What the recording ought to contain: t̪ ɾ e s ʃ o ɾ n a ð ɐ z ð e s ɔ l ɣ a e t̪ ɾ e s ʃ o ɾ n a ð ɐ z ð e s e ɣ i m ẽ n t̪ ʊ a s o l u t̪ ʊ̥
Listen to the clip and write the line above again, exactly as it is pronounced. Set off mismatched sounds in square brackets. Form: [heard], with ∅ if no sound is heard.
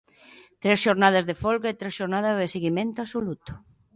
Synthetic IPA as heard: t̪ ɾ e s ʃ o ɾ n a ð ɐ z ð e [f] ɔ l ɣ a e t̪ ɾ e s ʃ o ɾ n a ð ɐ z ð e s e ɣ i m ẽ n t̪ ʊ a s o l u t̪ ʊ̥